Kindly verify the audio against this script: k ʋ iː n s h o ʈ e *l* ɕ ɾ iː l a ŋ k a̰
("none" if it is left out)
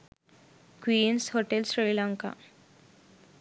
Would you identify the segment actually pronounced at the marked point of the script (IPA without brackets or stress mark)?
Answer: l